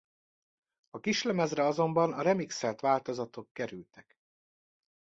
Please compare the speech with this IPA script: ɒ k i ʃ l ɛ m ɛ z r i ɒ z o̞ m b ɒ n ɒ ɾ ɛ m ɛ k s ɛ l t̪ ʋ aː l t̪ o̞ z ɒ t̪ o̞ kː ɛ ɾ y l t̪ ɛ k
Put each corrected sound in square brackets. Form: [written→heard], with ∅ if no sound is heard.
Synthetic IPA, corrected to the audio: ɒ k i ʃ l ɛ m ɛ z r [i→ɛ] ɒ z o̞ m b ɒ n ɒ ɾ ɛ m [ɛ→i] k s ɛ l t̪ ʋ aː l t̪ o̞ z ɒ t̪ o̞ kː ɛ ɾ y l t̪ ɛ k